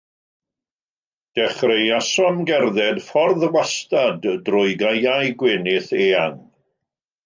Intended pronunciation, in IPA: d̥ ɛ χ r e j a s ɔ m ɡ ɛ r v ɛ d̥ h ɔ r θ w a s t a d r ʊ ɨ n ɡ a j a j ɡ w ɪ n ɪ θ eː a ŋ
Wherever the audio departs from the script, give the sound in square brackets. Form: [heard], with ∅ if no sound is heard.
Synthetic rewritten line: d̥ ɛ χ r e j a s ɔ m ɡ ɛ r [ð] ɛ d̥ [f] ɔ r [ð] w a s t a d r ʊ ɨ [∅] ɡ a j a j ɡ w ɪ n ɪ θ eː a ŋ